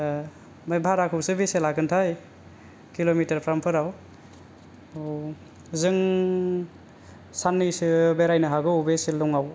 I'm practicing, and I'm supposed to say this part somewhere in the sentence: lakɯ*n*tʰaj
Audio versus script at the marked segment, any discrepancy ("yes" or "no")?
no